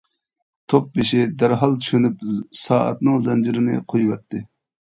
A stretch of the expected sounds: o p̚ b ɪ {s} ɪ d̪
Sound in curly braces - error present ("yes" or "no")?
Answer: yes